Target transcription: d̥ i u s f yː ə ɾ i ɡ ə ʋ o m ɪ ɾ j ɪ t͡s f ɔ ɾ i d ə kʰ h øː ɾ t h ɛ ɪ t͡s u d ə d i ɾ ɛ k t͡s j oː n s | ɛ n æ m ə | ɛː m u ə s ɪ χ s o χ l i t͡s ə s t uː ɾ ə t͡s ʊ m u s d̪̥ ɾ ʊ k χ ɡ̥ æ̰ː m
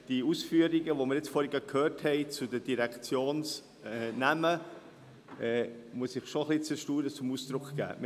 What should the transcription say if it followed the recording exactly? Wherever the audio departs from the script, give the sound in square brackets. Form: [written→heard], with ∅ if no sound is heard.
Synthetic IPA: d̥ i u s f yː ə ɾ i ɡ ə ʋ o m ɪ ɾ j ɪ t͡s f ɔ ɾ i [d→ɡ] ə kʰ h øː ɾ t h ɛ ɪ t͡s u d ə d i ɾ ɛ k t͡s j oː n s | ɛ n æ m ə | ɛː m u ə s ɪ χ [s→ʃ] o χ l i t͡s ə [s→ʃ] t uː ɾ ə t͡s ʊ m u s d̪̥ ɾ ʊ k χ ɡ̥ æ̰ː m